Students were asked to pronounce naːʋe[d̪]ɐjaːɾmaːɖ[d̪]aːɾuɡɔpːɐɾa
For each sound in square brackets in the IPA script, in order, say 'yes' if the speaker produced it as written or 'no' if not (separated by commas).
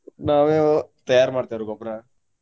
no, no